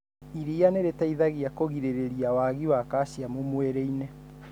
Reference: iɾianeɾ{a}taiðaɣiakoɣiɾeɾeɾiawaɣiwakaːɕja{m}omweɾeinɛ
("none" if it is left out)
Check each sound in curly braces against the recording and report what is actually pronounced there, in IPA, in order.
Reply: e, m

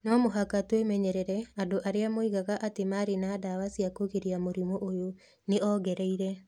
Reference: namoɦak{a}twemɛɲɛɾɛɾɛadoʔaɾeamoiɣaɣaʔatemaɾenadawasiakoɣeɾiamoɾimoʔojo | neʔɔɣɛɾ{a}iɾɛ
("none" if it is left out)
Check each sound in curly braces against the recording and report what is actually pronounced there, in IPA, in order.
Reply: a, ɛ

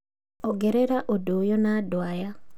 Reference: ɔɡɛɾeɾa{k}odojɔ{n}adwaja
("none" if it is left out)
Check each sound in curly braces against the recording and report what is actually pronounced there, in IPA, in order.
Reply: ʔ, n

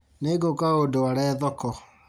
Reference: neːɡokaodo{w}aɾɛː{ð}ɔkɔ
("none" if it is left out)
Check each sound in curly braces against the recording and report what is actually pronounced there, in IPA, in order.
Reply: w, ð

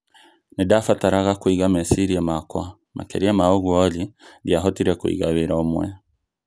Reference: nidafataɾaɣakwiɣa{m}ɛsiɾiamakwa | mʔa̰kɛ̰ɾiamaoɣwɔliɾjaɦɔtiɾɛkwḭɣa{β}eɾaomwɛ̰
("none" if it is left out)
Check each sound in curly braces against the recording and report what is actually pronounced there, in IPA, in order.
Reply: m, β

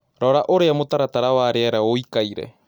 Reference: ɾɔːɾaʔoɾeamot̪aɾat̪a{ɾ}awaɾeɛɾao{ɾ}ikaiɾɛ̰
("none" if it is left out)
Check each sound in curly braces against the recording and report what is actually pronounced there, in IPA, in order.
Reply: ɾ, none

